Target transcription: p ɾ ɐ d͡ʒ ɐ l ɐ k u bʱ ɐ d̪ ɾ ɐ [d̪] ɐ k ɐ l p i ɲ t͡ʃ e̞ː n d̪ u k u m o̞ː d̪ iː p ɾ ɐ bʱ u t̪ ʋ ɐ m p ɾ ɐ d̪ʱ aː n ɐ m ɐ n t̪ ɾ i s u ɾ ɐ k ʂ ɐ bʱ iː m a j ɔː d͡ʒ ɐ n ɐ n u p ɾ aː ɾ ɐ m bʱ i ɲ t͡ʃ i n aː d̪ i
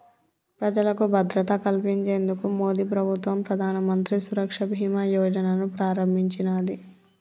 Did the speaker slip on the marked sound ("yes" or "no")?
yes